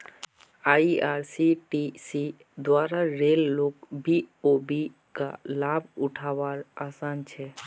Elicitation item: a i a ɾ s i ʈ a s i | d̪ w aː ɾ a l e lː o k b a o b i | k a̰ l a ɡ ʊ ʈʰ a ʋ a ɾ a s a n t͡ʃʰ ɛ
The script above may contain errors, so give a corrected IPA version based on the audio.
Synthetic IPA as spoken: a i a ɾ s i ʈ i s i | d̪ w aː ɾ a ɾ e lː o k b i o b i | k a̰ l a b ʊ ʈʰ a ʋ a ɾ a s a n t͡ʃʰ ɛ